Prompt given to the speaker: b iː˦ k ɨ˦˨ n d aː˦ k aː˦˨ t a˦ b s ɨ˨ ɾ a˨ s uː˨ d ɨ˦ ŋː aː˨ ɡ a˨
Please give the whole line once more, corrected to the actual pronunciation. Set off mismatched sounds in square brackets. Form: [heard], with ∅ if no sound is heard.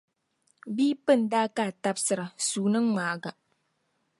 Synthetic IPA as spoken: b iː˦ [p] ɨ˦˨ n d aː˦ k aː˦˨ t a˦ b s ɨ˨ ɾ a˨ s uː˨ [n] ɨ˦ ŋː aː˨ ɡ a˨